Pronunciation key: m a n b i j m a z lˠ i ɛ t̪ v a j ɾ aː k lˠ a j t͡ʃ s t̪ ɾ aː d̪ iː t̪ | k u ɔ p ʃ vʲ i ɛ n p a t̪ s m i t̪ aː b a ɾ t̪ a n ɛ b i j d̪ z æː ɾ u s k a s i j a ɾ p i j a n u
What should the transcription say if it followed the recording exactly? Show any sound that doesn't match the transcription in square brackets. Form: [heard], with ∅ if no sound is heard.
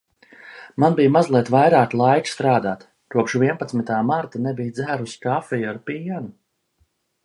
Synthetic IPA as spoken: m a n b i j m a z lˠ i ɛ t̪ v a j ɾ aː k lˠ a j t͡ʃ s t̪ ɾ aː d̪ [aː] t̪ | k u ɔ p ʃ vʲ i ɛ n p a t̪ s m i t̪ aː [m] a ɾ t̪ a n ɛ b i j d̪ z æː ɾ u s k a [f] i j a ɾ p i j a n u